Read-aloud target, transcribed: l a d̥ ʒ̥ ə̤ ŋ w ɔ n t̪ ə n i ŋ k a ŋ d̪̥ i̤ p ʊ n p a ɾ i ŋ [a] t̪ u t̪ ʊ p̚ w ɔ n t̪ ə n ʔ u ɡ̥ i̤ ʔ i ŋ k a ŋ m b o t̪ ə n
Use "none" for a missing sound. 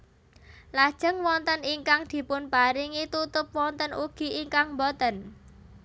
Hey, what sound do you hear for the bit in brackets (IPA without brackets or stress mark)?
i